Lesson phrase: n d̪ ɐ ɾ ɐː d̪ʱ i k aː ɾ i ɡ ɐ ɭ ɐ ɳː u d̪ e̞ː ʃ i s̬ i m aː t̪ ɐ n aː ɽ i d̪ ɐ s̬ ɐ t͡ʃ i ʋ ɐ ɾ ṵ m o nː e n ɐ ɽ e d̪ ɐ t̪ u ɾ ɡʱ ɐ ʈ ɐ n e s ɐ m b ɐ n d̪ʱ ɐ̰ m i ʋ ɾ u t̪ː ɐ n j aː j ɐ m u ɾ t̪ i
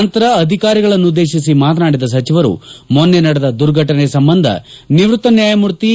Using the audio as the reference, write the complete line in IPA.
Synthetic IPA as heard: n t̪ ɐ ɾ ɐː d̪ʱ i k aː ɾ i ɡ ɐ ɭ ɐ nː u d̪ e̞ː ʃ i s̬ i m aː t̪ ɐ n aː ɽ i d̪ ɐ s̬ ɐ t͡ʃ i ʋ ɐ ɾ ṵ m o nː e n ɐ ɽ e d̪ ɐ d̪ u ɾ ɡʱ ɐ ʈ ɐ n e s ɐ m b ɐ n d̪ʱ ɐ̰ n i ʋ ɾ u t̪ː ɐ n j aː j ɐ m u ɾ t̪ i